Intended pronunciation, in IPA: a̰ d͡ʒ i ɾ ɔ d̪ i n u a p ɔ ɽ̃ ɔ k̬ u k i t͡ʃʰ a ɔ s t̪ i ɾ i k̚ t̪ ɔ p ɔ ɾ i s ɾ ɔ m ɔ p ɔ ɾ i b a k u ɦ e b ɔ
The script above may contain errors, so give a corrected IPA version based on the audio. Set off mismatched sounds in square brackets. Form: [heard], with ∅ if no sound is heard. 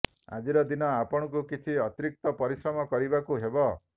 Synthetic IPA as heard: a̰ d͡ʒ i ɾ ɔ d̪ i n [ɔ] a p ɔ ɽ̃ ɔ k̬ u k i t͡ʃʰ [i] ɔ [∅] t̪ i ɾ i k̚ t̪ ɔ p ɔ ɾ i s ɾ ɔ m ɔ [k] ɔ ɾ i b a k u ɦ e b ɔ